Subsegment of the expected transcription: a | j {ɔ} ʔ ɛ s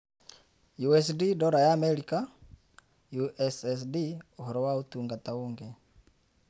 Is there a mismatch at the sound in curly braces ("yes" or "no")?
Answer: yes